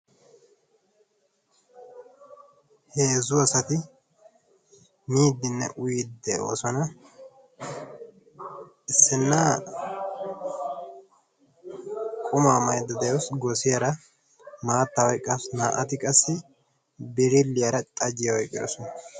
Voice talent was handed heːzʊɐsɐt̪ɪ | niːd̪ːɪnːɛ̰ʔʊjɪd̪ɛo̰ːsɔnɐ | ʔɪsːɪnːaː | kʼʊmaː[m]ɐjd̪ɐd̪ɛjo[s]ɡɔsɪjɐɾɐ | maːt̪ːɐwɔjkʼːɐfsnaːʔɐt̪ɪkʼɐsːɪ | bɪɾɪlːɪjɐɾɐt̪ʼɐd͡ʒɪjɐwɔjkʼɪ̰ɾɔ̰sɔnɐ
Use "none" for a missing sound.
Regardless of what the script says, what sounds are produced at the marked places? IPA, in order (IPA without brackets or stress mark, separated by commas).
m, s